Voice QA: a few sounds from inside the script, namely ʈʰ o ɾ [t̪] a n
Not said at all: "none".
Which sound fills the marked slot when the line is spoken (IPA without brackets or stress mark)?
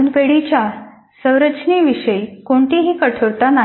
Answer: t̪